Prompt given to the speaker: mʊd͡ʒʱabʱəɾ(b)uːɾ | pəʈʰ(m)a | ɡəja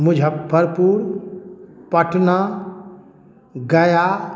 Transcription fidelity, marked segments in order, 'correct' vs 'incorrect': incorrect: p, incorrect: n

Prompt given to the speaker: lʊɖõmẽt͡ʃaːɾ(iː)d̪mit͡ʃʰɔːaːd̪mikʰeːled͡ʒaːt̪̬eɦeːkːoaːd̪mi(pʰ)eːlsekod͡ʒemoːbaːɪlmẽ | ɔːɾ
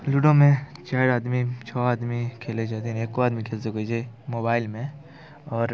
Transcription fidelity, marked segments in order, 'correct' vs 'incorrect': incorrect: aː, incorrect: kʰ

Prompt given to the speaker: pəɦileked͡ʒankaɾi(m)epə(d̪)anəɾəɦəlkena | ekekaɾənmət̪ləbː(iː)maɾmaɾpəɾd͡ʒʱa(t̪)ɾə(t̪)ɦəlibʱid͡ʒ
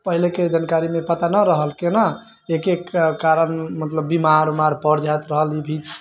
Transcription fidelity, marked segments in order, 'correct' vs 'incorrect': correct, incorrect: t̪, incorrect: i, correct, incorrect: none

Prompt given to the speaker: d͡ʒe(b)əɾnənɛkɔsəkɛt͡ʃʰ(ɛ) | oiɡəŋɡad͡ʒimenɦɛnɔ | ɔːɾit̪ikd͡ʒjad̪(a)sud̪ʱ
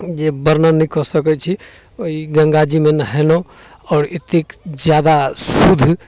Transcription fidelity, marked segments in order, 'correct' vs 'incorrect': correct, incorrect: i, correct

